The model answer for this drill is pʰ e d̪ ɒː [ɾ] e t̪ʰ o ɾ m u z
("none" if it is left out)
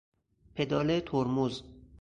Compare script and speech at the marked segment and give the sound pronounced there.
l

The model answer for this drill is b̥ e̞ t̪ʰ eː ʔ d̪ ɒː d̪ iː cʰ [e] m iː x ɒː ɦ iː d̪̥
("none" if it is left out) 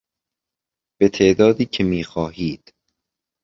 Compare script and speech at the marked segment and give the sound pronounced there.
e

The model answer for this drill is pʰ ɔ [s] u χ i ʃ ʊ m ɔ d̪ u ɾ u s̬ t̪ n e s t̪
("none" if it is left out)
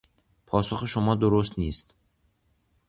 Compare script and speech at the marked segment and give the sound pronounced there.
s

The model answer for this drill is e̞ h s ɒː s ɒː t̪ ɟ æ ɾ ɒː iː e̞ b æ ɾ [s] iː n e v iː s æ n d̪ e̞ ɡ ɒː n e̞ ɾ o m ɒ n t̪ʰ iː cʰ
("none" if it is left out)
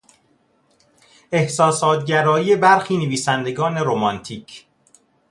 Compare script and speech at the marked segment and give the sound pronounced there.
x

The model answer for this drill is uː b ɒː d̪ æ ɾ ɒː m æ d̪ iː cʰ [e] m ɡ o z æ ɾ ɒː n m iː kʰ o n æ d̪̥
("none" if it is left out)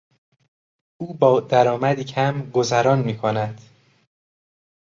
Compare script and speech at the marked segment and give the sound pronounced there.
æ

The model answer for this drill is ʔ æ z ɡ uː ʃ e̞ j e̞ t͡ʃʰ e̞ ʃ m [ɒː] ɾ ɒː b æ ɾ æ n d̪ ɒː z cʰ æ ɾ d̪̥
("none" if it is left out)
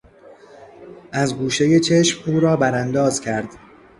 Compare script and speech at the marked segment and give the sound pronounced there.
uː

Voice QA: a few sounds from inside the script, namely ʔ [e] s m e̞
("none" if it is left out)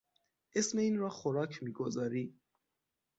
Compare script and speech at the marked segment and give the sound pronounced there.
e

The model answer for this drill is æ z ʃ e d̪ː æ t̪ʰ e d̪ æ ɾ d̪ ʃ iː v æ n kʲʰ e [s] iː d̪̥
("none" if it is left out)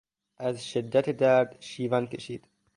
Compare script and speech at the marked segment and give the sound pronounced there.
ʃ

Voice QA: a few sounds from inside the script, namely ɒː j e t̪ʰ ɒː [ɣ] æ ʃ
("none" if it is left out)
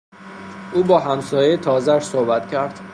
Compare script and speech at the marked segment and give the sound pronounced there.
z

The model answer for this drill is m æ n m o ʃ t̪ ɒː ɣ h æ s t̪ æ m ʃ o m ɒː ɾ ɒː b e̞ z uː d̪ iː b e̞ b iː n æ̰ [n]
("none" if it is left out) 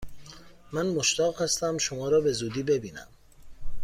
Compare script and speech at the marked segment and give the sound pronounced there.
m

